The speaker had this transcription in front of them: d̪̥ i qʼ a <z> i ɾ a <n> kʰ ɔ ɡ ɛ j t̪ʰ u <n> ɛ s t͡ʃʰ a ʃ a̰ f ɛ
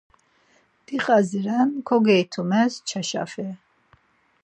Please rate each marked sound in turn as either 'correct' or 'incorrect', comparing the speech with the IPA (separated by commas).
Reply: correct, correct, incorrect